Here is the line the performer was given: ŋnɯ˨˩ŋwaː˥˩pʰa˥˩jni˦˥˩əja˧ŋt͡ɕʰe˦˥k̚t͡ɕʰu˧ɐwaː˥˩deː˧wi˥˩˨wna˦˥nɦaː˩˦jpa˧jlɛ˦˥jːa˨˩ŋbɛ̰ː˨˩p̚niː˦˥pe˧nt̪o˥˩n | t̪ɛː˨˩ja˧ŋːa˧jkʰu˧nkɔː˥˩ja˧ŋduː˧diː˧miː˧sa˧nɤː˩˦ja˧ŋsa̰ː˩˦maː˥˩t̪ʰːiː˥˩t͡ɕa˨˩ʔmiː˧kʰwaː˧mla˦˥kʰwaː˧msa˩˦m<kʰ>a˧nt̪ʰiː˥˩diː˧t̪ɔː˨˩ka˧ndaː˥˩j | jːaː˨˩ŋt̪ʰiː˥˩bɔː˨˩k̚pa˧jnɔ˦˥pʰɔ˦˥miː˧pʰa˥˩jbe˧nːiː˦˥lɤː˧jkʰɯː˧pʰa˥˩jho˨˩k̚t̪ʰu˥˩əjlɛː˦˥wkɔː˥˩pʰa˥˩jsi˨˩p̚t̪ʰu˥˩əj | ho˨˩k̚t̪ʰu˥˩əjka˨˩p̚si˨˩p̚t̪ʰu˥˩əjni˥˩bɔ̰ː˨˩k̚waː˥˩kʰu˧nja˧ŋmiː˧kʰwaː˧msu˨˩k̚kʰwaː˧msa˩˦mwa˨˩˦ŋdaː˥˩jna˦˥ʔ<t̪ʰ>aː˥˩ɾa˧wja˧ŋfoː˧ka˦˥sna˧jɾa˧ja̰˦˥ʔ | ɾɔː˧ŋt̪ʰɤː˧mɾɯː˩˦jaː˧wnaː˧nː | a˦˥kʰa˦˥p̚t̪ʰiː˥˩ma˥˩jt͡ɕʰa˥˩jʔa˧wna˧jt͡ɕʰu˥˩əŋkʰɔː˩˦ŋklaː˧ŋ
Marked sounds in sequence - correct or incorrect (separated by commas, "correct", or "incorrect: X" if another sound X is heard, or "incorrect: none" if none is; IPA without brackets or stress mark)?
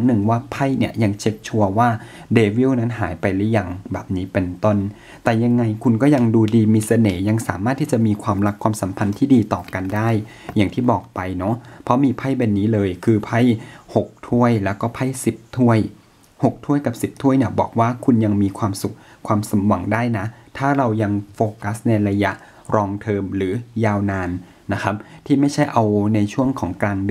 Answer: incorrect: pʰ, correct